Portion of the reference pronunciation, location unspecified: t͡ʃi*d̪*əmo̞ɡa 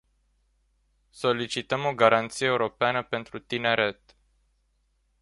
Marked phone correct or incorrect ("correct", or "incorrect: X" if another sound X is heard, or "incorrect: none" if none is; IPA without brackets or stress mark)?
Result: incorrect: t̪